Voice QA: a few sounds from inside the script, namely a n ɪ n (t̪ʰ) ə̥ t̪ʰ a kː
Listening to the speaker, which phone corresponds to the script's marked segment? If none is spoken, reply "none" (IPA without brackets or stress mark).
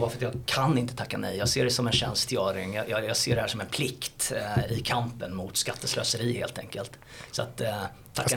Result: t̪